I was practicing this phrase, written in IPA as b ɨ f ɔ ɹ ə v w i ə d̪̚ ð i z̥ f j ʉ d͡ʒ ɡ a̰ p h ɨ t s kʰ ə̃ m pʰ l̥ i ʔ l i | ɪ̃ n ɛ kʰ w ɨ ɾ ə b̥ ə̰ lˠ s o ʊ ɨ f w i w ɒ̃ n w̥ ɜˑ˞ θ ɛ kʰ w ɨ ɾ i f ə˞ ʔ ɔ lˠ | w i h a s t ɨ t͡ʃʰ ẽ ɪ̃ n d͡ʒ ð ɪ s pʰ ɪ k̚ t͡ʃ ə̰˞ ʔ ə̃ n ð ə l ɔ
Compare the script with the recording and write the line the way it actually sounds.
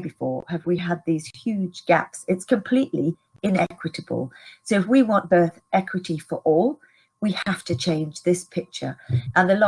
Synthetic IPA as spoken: b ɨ f ɔ ɹ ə v w i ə d̪̚ ð i z̥ h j ʉ d͡ʒ ɡ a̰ p s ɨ t s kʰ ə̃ m pʰ l̥ i ʔ l i | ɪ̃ n ɛ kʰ w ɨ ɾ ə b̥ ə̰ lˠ s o ʊ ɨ f w i w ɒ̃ n b̥ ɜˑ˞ θ ɛ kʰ w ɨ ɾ i f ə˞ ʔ ɔ lˠ | w i h a f t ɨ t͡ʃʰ ẽ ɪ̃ n d͡ʒ ð ɪ s pʰ ɪ k̚ t͡ʃ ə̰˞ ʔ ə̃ n ð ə l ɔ